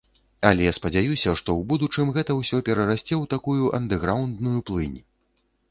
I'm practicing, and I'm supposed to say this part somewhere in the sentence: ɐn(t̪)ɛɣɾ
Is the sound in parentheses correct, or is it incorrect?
incorrect